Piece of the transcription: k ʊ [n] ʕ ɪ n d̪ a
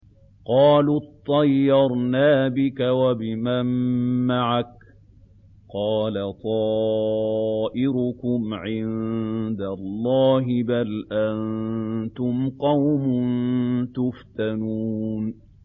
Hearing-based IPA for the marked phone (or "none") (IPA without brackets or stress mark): m